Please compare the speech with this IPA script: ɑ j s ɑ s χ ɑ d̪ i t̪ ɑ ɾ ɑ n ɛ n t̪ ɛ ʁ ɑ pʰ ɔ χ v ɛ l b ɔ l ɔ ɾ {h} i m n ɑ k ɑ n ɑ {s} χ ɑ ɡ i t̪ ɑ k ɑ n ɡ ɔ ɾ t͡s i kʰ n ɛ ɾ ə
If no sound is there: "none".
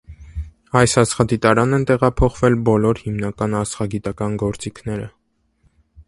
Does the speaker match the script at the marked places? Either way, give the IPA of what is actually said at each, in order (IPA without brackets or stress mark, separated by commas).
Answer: h, s